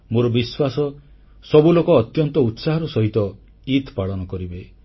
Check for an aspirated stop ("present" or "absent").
absent